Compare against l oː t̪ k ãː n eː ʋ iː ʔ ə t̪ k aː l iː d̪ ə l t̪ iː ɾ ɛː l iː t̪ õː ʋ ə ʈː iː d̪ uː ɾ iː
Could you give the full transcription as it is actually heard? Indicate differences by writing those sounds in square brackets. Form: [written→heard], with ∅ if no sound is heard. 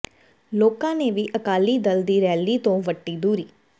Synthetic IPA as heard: l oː [t̪→∅] k ãː n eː ʋ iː ʔ ə [t̪→∅] k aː l iː d̪ ə l [t̪→d̪] iː ɾ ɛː l iː t̪ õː ʋ ə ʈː iː d̪ uː ɾ iː